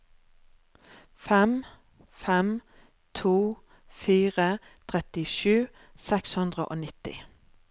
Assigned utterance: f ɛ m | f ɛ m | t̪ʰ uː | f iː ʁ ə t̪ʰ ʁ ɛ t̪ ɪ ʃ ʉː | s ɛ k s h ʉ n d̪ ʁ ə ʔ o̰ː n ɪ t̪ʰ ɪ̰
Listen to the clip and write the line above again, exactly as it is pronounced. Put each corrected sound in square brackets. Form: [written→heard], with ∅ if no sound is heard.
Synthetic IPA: f ɛ m | f ɛ m | t̪ʰ uː | f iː ʁ ə t̪ʰ ʁ ɛ t̪ ɪ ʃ ʉː | s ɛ k s h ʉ n d̪ ʁ ə ʔ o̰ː n ɪ [t̪ʰ→t̪] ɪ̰